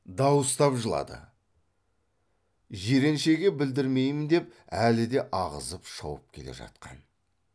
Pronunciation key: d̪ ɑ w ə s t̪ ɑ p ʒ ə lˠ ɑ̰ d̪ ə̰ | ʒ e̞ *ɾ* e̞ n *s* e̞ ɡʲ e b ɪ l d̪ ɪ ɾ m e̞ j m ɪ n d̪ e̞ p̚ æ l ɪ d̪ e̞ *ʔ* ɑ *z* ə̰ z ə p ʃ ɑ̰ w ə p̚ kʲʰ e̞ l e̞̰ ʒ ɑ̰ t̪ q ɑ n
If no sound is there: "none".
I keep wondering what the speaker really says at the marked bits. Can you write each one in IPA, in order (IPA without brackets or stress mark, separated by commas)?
ɾ, ʃ, ʔ, ʁ